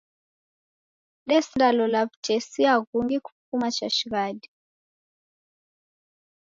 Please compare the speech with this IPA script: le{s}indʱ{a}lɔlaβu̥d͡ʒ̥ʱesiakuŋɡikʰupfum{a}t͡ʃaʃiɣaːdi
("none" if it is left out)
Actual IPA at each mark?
s, a, a

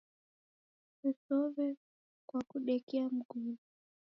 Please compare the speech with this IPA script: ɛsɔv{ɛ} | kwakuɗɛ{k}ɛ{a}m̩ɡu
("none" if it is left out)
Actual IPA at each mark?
ɛ, k, a

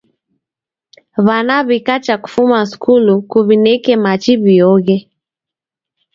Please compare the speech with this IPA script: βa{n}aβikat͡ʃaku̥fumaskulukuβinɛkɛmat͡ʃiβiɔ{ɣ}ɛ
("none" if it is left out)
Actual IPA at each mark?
n, ɣ

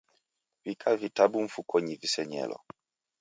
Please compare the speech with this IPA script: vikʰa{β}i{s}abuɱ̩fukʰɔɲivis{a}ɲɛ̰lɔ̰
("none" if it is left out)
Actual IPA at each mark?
v, t, ɛ

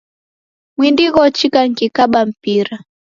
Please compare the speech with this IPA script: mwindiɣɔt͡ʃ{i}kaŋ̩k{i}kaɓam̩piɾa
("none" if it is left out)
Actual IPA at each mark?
i, i

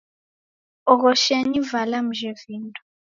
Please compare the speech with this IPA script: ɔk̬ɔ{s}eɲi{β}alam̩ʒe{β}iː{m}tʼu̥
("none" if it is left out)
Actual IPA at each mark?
ʃ, v, v, n

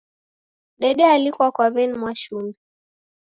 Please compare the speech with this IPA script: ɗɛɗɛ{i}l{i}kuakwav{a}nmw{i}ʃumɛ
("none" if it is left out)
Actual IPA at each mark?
a, i, ɛ, a

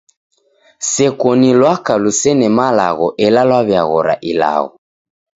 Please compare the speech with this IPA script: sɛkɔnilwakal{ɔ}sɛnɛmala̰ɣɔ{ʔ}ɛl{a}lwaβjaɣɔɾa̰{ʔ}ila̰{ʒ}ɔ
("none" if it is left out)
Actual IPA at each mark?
u, ʔ, a, ʔ, ɣ

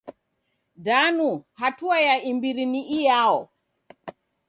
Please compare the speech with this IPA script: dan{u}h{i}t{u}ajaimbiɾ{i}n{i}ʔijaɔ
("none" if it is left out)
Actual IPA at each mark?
u, a, u, i, i

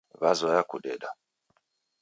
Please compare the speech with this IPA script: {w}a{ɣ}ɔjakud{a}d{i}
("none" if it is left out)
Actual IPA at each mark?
β, z, ɛ, a

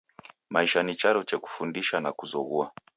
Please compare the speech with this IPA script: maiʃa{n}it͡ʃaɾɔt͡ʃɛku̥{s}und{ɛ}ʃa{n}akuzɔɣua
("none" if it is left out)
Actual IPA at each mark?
n, f, i, n

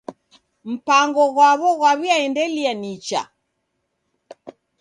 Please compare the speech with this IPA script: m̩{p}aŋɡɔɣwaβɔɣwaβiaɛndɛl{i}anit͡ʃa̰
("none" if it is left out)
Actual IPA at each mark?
p, i

